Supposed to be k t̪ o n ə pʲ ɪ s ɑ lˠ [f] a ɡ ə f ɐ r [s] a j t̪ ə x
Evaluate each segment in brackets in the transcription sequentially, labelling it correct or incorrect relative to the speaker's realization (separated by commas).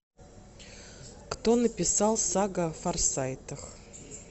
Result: incorrect, correct